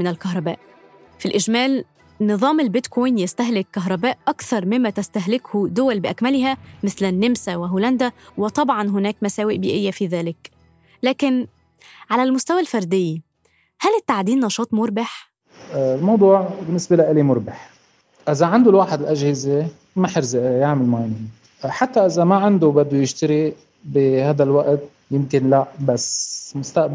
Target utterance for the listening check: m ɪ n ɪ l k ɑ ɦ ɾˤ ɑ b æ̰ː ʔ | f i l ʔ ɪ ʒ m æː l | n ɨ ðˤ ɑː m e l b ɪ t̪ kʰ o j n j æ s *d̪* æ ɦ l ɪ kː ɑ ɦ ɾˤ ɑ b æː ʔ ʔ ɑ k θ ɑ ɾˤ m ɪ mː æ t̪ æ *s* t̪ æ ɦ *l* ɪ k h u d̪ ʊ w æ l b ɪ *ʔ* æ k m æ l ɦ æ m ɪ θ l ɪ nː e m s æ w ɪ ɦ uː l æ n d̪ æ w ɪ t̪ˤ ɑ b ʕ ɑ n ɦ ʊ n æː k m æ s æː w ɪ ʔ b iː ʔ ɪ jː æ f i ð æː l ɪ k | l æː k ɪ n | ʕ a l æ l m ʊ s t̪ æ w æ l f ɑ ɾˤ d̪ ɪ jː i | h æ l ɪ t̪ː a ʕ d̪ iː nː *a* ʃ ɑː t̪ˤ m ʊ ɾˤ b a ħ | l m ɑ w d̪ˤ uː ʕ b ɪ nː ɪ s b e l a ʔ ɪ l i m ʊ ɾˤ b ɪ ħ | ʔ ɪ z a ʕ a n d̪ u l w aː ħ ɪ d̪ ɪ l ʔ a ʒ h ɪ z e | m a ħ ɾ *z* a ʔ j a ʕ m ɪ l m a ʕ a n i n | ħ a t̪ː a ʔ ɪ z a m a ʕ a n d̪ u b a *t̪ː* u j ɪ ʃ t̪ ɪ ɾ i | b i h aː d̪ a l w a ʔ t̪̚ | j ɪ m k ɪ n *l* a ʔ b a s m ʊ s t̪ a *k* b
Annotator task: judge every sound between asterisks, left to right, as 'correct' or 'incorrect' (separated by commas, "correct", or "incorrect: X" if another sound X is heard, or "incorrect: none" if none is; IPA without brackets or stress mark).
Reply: incorrect: t̪, correct, correct, correct, incorrect: ɑ, correct, incorrect: d̪ː, correct, incorrect: ʔ